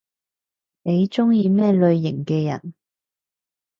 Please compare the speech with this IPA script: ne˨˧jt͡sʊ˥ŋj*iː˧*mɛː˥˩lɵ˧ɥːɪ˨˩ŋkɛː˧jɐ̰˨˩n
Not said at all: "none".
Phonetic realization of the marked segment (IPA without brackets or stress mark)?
iː˧